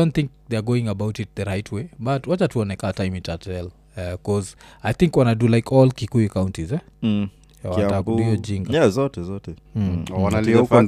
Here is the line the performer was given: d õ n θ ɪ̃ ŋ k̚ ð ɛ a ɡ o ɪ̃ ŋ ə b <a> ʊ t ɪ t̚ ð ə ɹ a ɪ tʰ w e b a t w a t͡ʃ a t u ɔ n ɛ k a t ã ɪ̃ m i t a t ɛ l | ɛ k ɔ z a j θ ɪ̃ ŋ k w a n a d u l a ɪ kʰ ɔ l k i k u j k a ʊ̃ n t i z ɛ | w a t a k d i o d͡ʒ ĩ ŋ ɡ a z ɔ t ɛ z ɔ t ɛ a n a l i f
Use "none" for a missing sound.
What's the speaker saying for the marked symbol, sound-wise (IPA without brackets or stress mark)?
a